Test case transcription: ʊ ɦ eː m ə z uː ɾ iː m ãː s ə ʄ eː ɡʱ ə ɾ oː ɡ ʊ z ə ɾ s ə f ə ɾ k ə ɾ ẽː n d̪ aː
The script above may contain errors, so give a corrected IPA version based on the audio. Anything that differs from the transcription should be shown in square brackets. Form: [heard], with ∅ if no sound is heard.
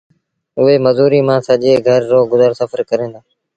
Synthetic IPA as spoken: ʊ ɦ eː m ə z uː ɾ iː m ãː s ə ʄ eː ɡʱ ə [ɾː] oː ɡ ʊ z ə ɾ s ə f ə ɾ k ə ɾ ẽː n d̪ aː

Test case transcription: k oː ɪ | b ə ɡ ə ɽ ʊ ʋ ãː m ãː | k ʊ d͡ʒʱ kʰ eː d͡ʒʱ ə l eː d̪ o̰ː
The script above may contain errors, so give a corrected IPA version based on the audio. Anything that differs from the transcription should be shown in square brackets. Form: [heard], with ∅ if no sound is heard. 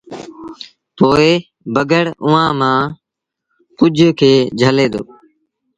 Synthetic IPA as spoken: [p] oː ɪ | b ə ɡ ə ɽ ʊ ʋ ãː m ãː | k ʊ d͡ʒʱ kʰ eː d͡ʒʱ ə l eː d̪ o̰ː

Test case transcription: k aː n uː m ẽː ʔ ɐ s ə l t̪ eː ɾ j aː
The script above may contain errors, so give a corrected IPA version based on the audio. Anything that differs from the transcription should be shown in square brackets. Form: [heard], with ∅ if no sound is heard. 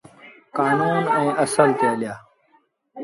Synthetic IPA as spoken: k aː n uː [n] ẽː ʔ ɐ s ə l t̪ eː [l] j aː

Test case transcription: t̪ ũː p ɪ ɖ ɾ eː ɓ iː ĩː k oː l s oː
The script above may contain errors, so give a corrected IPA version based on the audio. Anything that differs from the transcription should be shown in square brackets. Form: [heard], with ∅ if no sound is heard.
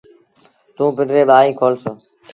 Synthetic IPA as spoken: t̪ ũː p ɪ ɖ ɾ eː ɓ [aː] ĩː [kʰ] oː l s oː

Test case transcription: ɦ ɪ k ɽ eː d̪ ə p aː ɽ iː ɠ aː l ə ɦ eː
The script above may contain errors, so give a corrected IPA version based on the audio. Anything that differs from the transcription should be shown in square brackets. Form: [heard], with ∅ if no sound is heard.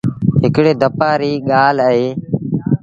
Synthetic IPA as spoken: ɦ ɪ k ɽ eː d̪ ə p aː [ɾ] iː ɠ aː l ə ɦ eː

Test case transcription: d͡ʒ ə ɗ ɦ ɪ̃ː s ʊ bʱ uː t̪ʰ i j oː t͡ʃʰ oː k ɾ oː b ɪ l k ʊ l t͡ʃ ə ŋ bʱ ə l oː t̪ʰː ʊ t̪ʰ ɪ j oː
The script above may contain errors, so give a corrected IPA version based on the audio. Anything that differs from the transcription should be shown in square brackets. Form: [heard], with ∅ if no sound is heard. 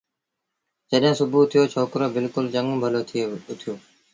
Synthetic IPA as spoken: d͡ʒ ə ɗ ɦ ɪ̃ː s ʊ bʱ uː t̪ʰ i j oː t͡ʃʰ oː k ɾ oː b ɪ l k ʊ l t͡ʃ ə ŋ bʱ ə l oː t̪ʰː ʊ t̪ʰ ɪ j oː

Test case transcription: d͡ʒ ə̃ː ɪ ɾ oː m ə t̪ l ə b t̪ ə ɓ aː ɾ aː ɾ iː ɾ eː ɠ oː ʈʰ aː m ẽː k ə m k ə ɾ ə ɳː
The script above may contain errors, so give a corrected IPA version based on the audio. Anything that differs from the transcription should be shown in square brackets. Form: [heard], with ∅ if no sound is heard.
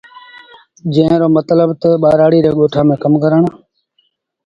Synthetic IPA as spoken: d͡ʒ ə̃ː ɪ ɾ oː m ə t̪ l ə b t̪ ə ɓ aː ɾ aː [ɽ] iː ɾ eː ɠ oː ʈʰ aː m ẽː k ə m k ə ɾ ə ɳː

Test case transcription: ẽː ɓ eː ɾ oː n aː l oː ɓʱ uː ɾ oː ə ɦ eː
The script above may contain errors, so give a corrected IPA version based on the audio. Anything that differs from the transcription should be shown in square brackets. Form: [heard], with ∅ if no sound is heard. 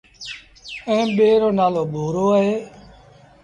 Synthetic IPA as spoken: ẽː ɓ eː ɾ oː n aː l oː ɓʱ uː ɾ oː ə ɦ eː

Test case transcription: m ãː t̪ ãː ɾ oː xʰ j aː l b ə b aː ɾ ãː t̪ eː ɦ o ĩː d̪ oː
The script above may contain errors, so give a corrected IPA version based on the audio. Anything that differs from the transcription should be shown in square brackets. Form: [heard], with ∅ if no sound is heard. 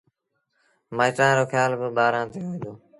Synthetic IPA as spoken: m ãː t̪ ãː ɾ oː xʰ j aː l b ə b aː ɾ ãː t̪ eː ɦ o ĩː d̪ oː

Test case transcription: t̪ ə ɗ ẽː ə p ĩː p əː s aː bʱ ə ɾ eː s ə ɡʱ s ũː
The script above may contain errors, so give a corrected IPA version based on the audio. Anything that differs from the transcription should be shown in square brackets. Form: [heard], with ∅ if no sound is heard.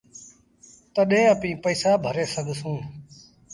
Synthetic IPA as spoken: t̪ ə ɗ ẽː ə p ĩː p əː s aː bʱ ə ɾ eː s ə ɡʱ s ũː

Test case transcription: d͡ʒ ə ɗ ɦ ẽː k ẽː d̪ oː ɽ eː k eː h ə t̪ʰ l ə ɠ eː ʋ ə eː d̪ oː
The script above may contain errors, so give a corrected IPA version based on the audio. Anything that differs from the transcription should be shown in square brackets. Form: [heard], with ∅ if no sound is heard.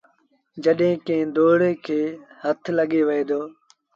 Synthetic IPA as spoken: d͡ʒ ə ɗ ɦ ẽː k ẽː d̪ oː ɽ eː [kʰ] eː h ə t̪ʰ l ə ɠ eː ʋ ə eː d̪ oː

